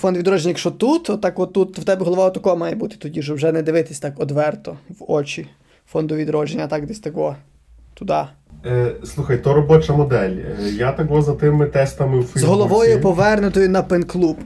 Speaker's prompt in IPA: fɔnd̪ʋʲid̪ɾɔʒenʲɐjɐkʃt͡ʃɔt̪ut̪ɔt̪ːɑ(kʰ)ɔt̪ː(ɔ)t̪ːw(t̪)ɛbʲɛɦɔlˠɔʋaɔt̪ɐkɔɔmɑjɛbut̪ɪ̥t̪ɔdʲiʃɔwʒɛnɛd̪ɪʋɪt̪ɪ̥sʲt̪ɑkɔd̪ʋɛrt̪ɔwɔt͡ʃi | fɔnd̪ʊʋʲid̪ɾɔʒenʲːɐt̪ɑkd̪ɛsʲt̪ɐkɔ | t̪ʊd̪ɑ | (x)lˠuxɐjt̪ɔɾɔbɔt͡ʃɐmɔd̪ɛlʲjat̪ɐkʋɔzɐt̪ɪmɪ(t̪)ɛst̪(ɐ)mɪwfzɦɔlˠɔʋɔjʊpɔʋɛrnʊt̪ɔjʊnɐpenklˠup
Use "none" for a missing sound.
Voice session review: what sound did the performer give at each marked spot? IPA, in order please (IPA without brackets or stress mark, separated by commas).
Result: k, u, t̪, s, t̪, ɐ